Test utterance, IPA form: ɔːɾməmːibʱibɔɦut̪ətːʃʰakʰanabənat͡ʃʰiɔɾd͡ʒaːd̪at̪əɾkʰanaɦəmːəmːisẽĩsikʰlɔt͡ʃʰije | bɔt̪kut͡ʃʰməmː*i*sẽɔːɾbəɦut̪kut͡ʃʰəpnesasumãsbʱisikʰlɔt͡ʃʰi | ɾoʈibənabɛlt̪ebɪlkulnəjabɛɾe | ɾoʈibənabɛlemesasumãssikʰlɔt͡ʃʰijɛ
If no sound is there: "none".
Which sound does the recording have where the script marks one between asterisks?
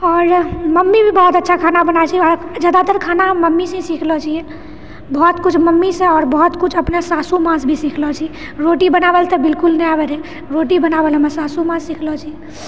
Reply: i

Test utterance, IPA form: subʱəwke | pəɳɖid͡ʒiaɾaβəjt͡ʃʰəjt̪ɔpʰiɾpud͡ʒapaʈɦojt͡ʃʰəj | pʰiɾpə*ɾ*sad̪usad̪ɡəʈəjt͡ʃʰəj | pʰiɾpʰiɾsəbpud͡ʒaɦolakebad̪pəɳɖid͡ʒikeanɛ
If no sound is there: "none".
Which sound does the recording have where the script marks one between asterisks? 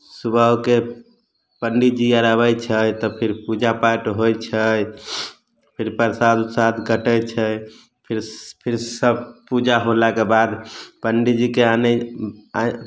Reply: ɾ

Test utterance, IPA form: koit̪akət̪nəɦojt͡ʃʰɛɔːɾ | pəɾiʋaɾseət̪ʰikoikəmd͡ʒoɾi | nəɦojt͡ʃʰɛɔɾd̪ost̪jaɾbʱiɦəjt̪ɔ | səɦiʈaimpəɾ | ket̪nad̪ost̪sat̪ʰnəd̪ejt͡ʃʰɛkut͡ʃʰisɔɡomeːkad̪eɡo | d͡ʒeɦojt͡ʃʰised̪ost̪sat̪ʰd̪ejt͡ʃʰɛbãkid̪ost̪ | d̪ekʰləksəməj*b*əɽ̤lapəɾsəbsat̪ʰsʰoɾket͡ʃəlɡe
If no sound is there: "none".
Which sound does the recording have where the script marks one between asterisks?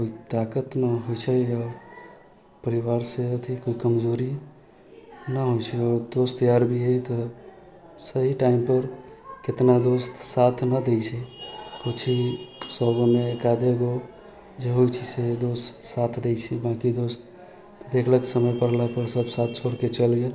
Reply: p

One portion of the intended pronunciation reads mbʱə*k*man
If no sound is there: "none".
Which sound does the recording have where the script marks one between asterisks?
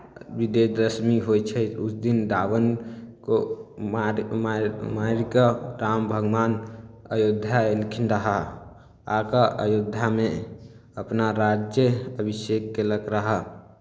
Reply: ɡ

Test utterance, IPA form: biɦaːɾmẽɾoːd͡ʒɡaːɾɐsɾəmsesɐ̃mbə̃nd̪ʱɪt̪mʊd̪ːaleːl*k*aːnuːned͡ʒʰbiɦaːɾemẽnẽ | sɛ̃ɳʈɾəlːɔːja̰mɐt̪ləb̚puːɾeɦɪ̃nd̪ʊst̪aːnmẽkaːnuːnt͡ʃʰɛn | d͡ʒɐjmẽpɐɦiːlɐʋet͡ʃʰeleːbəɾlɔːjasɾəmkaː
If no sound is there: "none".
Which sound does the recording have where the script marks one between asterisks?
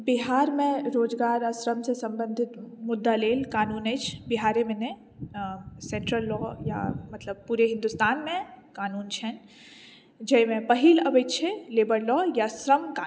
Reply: k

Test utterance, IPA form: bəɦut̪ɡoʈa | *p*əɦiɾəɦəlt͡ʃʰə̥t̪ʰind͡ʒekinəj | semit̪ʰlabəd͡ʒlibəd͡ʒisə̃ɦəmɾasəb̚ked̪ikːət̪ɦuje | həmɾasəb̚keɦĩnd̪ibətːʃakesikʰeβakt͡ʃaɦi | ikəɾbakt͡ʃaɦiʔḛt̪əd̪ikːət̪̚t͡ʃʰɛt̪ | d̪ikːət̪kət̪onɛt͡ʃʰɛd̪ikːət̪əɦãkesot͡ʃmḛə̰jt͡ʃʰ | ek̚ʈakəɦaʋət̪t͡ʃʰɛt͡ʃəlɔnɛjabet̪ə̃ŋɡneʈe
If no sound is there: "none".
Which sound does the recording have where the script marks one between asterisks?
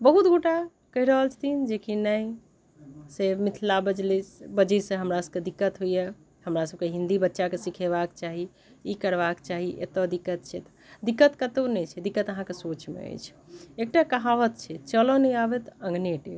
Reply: k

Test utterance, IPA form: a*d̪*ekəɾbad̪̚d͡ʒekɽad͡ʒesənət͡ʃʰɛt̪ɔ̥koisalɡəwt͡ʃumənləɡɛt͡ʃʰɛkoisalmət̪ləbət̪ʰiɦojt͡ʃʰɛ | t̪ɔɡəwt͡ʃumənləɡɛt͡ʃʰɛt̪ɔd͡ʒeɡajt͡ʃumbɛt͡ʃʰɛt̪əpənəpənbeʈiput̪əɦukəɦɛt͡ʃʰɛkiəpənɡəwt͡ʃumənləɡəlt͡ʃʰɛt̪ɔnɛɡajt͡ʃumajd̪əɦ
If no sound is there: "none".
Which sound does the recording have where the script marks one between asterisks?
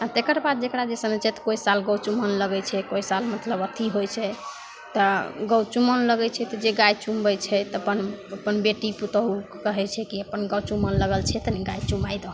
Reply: t̪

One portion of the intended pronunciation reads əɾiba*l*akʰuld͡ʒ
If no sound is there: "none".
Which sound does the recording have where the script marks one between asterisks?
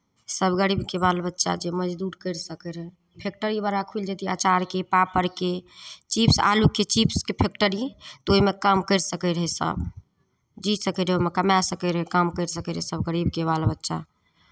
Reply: ɾ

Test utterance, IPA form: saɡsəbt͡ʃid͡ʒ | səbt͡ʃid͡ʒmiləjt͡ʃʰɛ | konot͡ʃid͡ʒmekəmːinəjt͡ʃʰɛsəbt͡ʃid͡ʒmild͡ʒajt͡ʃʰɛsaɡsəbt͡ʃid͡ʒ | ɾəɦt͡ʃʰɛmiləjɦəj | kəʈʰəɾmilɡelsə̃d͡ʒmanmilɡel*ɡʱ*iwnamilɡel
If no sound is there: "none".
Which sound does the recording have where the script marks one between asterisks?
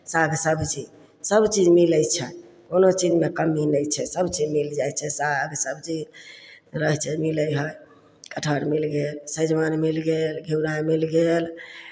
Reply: ɡʱ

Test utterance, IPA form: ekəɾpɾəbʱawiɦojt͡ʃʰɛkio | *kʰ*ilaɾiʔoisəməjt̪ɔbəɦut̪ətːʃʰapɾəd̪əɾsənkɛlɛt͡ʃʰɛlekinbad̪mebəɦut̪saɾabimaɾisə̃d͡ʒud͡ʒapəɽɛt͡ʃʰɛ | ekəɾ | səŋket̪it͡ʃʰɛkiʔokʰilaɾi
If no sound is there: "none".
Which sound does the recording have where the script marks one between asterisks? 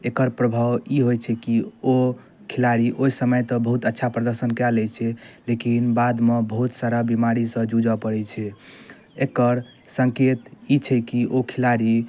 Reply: kʰ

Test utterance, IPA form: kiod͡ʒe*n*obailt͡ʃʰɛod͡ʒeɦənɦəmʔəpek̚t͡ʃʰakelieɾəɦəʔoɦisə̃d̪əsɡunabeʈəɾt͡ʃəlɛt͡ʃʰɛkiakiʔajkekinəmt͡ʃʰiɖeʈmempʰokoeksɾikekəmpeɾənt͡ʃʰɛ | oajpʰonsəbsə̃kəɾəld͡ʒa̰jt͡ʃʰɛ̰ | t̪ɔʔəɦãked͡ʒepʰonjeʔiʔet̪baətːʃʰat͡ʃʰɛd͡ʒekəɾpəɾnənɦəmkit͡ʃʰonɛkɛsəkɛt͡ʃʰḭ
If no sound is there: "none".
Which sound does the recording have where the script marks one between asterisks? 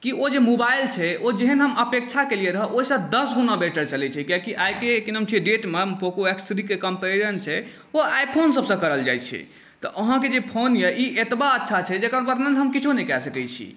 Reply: m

